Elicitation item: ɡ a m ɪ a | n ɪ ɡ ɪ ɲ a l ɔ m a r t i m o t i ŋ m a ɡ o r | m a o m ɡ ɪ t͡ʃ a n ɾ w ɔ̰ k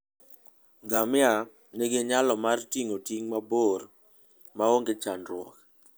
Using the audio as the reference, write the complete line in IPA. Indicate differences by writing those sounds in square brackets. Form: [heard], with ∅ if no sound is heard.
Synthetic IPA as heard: ɡ a m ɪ a | n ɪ ɡ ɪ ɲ a l ɔ m a r t i [ŋ] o t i ŋ m a [b] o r | m a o [ŋ] ɡ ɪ t͡ʃ a n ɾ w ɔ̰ k